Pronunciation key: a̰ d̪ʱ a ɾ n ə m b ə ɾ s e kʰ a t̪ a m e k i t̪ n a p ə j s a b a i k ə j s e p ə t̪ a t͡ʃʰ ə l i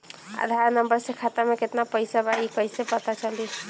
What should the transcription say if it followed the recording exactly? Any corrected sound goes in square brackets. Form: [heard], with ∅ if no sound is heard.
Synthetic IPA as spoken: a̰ d̪ʱ a ɾ n ə m b ə ɾ s e kʰ a t̪ a m e k [e] t̪ n a p ə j s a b a i k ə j s e p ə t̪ a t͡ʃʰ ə l i